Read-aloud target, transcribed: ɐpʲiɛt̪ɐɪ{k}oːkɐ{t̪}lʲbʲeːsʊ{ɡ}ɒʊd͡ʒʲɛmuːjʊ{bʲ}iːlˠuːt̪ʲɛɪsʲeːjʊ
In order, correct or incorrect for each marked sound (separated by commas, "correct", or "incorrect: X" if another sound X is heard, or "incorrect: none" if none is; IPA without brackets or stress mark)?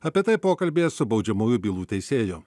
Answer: incorrect: p, incorrect: none, incorrect: b, correct